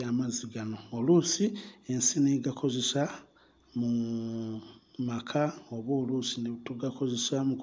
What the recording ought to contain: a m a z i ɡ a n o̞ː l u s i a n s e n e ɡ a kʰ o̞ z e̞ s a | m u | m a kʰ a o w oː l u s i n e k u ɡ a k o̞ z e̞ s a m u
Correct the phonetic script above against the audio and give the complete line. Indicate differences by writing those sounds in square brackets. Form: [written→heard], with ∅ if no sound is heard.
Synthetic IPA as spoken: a m a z i ɡ a n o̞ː l u s i [a→e] n s [e→i] n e ɡ a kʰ o̞ z e̞ s a | m u | m a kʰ a o [w→β] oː l u s i n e [k→t] u ɡ a k o̞ z e̞ s a m u

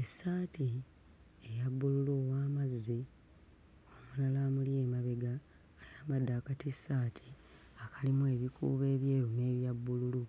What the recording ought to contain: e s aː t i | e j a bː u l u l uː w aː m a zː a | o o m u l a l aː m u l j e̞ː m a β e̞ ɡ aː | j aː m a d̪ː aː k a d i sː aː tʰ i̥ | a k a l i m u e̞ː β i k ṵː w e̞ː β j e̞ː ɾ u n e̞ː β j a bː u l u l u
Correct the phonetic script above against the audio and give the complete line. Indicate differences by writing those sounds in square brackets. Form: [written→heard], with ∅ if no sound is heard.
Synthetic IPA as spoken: e s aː t i | e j a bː u l u l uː w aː m a zː [a→i] | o o m u l a l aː m u l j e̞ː m a β e̞ ɡ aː | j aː m a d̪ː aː k a [d→t] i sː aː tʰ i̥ | a k a l i m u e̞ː β i k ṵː [w→β] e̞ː β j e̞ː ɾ u n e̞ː β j a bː u l u l u

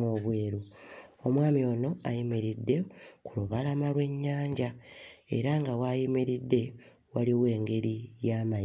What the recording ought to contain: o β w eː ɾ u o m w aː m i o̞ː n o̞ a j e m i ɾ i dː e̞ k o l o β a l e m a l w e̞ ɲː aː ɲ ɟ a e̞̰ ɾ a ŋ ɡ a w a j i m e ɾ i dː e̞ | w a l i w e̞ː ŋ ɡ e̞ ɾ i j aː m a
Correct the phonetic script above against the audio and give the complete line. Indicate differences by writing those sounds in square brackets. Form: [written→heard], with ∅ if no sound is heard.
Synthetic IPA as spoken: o β w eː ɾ u o m w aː m i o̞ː n o̞ a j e m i ɾ i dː e̞ k [o→u] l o β a l [e→a] m a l w e̞ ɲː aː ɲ ɟ a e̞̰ ɾ a ŋ ɡ a w a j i m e ɾ i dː e̞ | w a l i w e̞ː ŋ ɡ e̞ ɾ i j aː m a

